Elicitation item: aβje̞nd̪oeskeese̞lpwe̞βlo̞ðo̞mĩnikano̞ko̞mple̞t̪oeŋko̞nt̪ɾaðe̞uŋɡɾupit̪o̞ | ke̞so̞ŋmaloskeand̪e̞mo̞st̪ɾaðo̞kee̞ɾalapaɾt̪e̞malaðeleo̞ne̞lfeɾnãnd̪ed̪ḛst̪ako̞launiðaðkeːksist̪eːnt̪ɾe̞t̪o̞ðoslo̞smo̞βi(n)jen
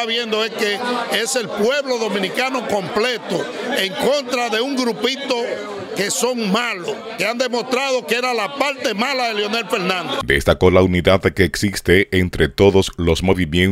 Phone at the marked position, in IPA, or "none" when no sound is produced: m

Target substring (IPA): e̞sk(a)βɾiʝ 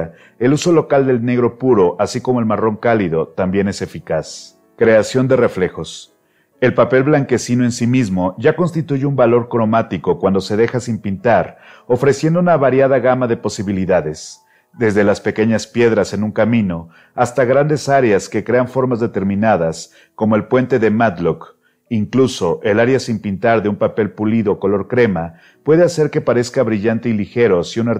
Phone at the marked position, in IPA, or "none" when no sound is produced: a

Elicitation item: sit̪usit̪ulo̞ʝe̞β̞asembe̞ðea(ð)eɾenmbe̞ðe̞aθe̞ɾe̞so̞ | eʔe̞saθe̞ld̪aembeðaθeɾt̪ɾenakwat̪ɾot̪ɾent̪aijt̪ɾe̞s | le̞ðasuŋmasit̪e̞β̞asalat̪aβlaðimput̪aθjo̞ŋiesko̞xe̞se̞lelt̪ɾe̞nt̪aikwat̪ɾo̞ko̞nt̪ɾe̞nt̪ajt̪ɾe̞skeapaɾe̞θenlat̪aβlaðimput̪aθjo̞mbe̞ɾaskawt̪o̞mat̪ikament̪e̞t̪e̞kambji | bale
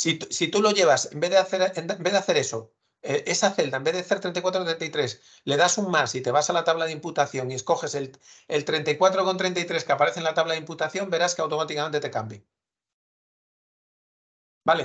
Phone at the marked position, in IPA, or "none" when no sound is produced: θ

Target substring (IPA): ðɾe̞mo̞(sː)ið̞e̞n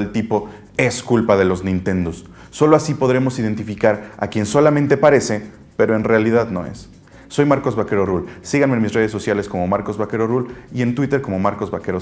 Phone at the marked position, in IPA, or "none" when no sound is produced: s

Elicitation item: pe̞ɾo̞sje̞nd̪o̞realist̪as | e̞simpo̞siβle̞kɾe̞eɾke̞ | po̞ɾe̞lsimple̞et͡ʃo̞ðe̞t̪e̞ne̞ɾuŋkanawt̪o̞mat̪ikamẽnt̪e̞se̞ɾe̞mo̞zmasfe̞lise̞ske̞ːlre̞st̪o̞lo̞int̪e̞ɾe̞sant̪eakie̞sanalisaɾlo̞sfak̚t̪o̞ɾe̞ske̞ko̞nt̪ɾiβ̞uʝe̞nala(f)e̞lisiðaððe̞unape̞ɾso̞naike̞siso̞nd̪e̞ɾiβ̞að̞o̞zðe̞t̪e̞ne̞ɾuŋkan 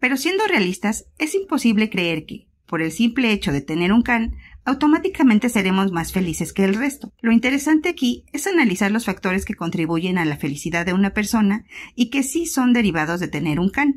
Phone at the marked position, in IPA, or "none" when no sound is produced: f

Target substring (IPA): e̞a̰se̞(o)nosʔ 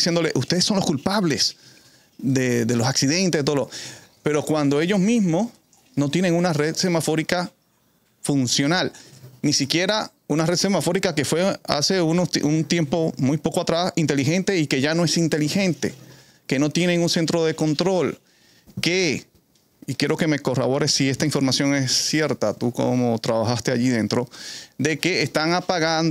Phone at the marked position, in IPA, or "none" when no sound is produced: u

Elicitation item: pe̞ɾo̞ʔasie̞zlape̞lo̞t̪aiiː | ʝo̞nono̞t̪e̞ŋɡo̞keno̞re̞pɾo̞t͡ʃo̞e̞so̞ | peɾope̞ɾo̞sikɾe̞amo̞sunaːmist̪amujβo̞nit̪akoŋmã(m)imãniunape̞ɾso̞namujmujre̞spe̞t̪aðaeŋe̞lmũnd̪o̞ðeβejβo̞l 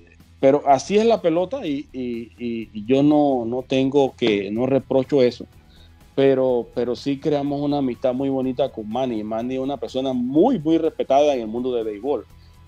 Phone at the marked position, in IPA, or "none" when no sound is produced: n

